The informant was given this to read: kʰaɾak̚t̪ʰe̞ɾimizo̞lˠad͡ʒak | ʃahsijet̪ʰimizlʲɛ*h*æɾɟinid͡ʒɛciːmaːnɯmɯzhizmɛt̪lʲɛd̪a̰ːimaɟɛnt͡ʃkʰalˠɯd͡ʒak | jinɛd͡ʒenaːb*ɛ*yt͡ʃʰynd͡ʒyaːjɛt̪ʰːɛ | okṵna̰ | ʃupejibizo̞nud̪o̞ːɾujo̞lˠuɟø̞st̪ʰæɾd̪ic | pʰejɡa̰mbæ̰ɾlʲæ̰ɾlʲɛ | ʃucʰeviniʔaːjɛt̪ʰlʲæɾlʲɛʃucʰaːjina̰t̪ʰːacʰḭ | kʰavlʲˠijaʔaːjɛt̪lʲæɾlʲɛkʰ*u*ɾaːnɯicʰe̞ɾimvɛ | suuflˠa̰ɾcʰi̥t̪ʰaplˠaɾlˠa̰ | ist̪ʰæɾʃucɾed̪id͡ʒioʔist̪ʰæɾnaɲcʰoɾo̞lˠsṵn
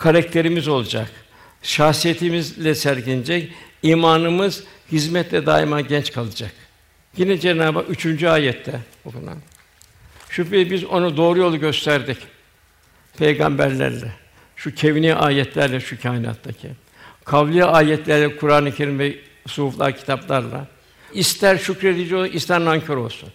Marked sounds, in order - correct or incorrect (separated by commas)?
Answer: incorrect, incorrect, correct